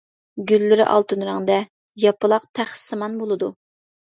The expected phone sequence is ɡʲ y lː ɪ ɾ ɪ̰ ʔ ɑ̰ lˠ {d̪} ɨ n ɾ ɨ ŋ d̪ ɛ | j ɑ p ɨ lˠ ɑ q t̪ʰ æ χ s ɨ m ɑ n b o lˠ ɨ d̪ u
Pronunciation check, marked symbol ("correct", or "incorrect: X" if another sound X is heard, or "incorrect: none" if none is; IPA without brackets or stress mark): incorrect: t̪